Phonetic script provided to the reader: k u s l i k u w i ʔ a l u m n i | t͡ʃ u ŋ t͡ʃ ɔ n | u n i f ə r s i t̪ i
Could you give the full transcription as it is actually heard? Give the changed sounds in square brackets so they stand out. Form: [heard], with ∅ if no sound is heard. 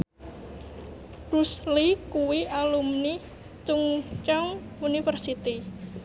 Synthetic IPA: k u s l i k u w i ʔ a l u m n i | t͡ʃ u ŋ t͡ʃ ɔ [ŋ] | u n i f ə r s i t̪ i

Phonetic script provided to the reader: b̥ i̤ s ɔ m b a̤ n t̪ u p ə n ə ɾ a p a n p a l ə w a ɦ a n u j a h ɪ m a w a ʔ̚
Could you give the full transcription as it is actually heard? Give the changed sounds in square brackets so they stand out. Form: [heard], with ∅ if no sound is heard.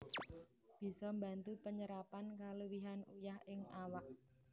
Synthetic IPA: b̥ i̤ s ɔ m b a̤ n t̪ u p ə [ɲ] ə ɾ a p a n [k] a l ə w [i] ɦ a n u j a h ɪ [ŋ] a w a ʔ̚

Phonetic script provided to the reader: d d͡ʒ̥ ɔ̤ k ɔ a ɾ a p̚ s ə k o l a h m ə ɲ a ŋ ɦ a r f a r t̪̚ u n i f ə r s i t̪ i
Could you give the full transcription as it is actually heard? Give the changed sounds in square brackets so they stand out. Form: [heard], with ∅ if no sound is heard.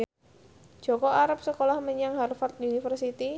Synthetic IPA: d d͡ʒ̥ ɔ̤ k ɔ a ɾ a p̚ s ə k o l a h m ə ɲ a ŋ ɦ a r f a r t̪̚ u n i f ə r s i t̪ i

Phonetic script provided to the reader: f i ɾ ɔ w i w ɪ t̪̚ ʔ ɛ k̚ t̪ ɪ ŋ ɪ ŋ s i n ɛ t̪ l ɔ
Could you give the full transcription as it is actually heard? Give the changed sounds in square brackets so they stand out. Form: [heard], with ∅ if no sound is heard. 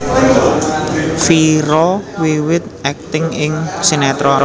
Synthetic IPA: f i ɾ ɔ w i w ɪ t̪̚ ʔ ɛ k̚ t̪ ɪ ŋ ɪ ŋ s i n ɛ t̪ [ɾ] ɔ

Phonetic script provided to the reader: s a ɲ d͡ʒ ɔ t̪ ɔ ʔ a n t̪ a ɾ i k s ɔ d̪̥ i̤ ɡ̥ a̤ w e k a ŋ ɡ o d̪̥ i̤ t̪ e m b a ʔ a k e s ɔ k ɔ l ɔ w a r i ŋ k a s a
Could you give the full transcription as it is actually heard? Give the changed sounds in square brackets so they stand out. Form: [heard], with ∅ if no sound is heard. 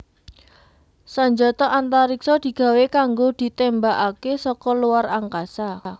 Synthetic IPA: s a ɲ d͡ʒ ɔ t̪ ɔ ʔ a n t̪ a ɾ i k s ɔ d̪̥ i̤ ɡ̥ a̤ w e k a ŋ ɡ o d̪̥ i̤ t̪ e m b a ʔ a k e s ɔ k ɔ l [u] w a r [a] ŋ k a s a

